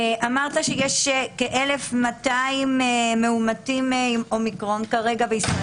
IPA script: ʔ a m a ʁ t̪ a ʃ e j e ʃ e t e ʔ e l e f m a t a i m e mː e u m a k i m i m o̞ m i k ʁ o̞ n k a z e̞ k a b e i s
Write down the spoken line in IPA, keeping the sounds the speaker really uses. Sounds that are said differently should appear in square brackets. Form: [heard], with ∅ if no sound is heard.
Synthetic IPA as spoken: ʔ a m a ʁ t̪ a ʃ e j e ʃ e [k] e ʔ e l e f m a t a i m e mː e u m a [t] i m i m o̞ m i k ʁ o̞ n k a [ʁ] e̞ [ɡ] a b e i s